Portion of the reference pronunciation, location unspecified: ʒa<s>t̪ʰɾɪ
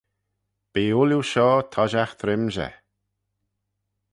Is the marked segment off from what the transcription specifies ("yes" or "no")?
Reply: yes